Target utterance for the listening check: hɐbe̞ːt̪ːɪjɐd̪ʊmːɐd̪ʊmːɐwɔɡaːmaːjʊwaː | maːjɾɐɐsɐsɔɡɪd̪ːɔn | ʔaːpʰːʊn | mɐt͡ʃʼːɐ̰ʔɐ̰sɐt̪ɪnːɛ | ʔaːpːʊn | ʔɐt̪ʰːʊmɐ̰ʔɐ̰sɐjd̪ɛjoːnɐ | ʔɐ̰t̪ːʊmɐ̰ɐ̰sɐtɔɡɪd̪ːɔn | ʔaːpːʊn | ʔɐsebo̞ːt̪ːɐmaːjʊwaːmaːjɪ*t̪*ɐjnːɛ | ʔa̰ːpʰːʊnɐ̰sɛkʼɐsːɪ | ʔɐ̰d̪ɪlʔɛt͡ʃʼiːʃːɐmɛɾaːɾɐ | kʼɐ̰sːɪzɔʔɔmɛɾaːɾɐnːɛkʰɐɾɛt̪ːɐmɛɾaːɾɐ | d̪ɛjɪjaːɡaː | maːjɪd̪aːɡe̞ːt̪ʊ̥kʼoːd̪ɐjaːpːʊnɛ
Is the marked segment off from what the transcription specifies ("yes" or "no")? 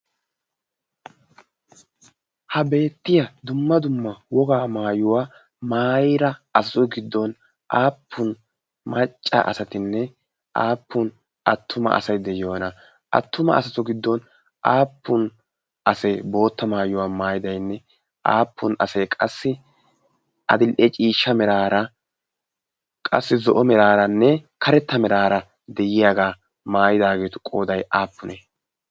yes